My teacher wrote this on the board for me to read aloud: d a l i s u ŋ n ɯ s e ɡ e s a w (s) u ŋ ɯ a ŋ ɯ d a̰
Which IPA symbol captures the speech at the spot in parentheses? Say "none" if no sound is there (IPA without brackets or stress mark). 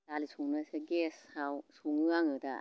s